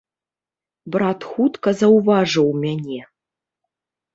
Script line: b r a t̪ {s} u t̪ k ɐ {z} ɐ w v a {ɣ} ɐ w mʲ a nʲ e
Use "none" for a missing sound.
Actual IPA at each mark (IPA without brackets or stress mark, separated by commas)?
x, z, ʐ